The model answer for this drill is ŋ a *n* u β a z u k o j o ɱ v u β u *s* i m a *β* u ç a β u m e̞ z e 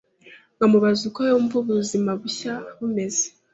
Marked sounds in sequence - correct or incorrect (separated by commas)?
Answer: incorrect, incorrect, correct